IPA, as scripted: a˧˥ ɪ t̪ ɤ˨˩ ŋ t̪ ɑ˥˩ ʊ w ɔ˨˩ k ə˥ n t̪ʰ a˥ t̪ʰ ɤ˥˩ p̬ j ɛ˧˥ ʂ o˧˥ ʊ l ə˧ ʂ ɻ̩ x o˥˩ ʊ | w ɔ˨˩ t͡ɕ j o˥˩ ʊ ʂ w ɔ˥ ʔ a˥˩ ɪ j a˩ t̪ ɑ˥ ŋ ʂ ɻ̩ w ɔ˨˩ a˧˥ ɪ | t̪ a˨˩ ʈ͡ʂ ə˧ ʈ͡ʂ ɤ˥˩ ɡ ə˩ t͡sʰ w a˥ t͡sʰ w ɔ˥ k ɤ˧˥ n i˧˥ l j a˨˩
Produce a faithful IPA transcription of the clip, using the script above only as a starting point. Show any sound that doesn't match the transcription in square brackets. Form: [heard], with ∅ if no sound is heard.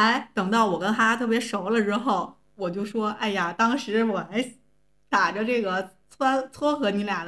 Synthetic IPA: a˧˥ ɪ t̪ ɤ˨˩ ŋ t̪ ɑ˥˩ ʊ w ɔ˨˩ k ə˥ n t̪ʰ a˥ t̪ʰ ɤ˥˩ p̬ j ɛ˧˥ ʂ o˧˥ ʊ l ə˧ [ʈ͡ʂ] ɻ̩ x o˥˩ ʊ | w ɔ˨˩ t͡ɕ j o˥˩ ʊ ʂ w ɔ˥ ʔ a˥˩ ɪ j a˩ t̪ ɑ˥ ŋ ʂ ɻ̩ w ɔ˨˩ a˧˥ ɪ | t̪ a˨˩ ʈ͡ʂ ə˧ ʈ͡ʂ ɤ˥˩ ɡ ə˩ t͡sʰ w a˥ t͡sʰ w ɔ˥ [x] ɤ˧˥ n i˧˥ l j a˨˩